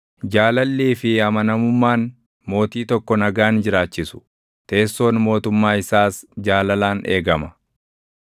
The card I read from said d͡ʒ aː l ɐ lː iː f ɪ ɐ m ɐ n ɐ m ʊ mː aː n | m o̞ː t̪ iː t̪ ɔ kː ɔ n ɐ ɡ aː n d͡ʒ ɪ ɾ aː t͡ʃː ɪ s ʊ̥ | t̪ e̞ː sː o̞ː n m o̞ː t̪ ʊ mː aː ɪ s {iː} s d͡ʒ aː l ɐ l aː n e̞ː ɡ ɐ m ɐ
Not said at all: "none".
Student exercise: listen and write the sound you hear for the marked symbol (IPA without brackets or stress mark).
aː